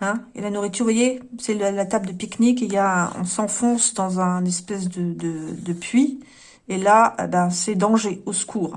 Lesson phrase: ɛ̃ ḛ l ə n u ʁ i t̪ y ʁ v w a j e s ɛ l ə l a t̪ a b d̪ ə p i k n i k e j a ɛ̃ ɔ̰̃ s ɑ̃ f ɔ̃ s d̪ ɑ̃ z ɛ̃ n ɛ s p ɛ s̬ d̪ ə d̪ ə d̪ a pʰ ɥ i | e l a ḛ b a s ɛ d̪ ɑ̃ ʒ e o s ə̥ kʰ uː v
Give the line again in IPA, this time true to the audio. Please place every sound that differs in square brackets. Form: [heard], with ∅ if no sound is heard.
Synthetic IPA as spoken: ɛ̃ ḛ l [a] n u ʁ i t̪ y ʁ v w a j e s ɛ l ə l a t̪ a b d̪ ə p i k n i k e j a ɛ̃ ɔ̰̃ s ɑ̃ f ɔ̃ s d̪ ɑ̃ z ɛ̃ n ɛ s p ɛ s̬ d̪ ə d̪ ə d̪ [ə] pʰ ɥ i | e l a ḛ b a s ɛ d̪ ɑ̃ ʒ e o s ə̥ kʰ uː [ʁ]